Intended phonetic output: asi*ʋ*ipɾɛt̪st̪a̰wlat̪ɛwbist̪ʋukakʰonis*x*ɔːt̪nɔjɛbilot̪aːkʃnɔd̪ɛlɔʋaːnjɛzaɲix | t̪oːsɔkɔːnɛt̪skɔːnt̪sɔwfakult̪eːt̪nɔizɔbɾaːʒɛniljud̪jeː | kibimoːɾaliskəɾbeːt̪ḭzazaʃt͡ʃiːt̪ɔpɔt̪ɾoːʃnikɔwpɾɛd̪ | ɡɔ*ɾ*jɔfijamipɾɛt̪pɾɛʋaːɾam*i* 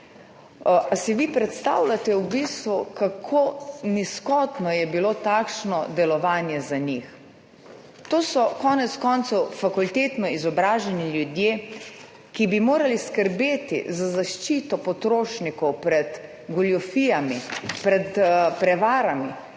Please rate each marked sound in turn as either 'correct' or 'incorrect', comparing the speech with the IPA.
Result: correct, incorrect, incorrect, correct

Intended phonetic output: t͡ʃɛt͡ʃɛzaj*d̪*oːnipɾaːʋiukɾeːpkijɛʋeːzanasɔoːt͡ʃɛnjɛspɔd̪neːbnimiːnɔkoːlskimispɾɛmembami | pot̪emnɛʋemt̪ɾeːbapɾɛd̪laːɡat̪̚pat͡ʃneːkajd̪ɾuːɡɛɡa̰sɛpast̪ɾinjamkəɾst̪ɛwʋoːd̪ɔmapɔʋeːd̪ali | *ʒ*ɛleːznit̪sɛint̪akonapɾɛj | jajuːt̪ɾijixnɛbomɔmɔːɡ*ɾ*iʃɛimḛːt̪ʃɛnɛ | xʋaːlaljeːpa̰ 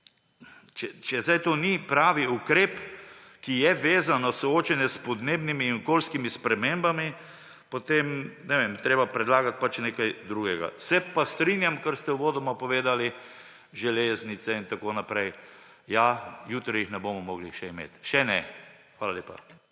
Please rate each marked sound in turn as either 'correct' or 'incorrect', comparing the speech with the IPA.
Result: incorrect, correct, incorrect

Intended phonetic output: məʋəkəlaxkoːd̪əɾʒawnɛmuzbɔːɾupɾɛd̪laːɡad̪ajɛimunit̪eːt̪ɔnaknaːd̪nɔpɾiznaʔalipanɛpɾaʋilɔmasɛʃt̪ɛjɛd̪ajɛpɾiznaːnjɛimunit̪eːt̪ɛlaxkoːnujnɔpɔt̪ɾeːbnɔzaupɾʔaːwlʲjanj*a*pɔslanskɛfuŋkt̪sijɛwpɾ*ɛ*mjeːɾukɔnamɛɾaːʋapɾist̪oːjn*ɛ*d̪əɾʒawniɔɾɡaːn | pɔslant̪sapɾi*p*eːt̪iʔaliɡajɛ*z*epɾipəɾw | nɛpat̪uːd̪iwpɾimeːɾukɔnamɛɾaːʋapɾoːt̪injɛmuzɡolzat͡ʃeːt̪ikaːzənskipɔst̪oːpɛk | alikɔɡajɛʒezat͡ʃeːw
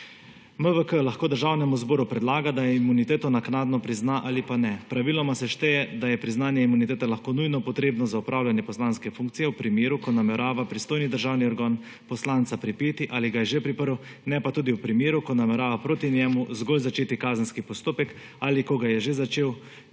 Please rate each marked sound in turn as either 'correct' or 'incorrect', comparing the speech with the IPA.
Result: incorrect, incorrect, incorrect, correct, incorrect

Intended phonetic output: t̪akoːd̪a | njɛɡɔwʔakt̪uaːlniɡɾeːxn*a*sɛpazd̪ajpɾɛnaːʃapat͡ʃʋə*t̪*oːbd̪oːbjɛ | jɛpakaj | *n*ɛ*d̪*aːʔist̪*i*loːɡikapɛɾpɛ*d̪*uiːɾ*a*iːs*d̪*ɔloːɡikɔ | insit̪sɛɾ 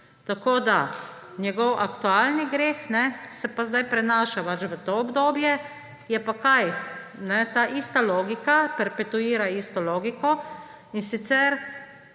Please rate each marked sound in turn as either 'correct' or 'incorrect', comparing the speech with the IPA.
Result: incorrect, correct, correct, incorrect, incorrect, incorrect, correct, incorrect

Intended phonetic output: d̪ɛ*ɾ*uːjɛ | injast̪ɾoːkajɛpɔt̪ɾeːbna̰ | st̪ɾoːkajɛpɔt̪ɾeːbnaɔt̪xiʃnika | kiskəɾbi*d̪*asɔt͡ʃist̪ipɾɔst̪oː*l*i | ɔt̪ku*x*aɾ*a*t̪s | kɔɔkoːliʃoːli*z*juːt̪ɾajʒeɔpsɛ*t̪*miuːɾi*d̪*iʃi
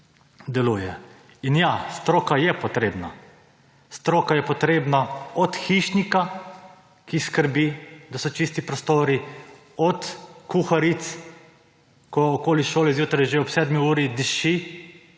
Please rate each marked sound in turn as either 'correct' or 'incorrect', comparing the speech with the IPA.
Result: incorrect, correct, incorrect, correct, incorrect, correct, incorrect, correct

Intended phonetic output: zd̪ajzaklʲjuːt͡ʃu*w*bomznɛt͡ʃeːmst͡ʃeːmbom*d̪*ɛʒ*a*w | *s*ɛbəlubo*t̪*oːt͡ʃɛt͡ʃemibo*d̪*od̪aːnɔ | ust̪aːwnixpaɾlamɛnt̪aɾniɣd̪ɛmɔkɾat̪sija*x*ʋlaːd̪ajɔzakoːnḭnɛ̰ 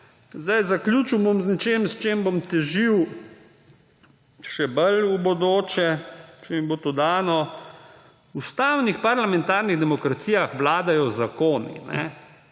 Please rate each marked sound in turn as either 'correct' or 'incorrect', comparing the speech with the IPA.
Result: correct, incorrect, incorrect, incorrect, incorrect, incorrect, correct

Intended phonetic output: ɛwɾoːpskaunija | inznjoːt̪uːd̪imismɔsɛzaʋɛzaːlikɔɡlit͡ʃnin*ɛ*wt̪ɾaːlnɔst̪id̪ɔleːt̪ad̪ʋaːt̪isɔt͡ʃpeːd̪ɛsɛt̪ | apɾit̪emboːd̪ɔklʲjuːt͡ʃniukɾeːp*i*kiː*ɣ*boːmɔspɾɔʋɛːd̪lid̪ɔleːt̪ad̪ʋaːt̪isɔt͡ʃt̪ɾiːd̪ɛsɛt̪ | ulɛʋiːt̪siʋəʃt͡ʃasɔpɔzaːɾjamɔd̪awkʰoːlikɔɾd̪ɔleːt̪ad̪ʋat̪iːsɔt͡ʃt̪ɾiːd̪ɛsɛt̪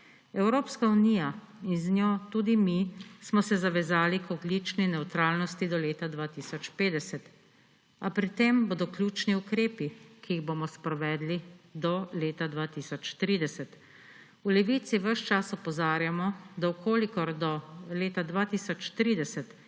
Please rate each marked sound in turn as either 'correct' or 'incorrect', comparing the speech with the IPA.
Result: correct, correct, correct

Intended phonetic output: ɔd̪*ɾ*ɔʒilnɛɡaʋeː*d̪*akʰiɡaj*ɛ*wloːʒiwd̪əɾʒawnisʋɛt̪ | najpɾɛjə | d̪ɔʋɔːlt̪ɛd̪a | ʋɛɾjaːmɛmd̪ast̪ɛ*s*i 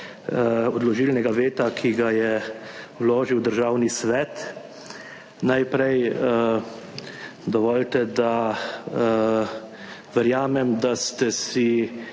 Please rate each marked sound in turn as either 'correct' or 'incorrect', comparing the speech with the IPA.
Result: incorrect, incorrect, correct, correct

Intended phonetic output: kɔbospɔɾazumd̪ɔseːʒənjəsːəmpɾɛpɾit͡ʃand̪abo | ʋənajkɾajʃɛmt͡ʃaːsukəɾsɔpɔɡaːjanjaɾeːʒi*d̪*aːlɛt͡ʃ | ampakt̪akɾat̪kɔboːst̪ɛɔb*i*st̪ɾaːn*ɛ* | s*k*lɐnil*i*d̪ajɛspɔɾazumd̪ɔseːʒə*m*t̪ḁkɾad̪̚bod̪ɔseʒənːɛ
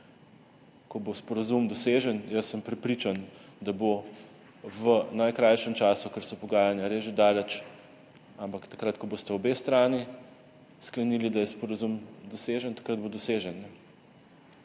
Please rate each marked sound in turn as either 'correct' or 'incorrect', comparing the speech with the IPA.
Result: correct, incorrect, incorrect, correct, correct, incorrect

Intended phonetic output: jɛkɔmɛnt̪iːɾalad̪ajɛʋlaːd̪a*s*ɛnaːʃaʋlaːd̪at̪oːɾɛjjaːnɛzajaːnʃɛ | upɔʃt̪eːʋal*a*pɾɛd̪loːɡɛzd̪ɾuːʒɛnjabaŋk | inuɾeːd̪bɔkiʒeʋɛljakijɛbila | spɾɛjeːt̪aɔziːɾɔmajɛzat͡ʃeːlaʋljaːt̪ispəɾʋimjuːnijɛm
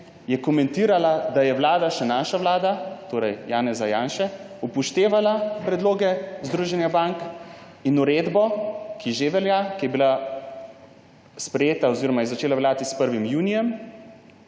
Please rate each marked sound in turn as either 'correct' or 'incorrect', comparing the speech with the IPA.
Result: incorrect, correct

